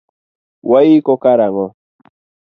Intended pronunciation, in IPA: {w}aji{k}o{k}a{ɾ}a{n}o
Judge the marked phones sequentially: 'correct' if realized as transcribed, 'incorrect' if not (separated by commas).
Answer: correct, correct, correct, correct, incorrect